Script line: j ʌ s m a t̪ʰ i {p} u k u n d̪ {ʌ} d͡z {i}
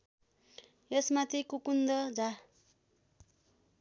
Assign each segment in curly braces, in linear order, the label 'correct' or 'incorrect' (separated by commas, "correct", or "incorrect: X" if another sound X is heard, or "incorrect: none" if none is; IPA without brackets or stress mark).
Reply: incorrect: k, correct, incorrect: a